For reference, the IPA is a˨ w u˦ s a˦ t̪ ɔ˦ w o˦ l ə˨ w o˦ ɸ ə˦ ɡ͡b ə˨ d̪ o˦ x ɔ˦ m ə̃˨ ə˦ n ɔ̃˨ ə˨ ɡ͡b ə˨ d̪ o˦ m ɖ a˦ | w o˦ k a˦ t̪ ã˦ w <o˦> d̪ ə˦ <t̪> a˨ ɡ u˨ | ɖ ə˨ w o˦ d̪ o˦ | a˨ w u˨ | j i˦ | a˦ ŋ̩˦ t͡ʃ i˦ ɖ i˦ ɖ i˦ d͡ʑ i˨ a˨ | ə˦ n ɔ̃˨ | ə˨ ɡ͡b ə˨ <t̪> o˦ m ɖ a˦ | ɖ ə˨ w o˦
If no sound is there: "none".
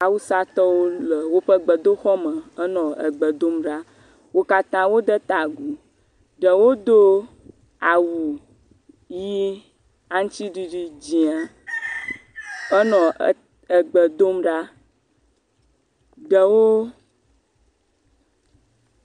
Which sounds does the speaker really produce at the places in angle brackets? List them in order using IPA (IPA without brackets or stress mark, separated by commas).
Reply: o˦, t̪, d̪